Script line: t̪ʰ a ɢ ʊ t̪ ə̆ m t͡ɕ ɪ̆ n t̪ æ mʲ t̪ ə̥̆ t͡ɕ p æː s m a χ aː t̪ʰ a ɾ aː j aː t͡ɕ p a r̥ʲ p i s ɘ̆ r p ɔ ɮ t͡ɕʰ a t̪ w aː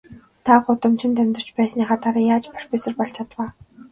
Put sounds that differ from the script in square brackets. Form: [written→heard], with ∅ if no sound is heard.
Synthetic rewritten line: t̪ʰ a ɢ ʊ t̪ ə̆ m t͡ɕ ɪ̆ n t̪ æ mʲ t̪ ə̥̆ t͡ɕ p æː s [m→n] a χ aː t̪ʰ a ɾ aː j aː t͡ɕ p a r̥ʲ p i s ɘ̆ r p ɔ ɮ t͡ɕʰ a t̪ w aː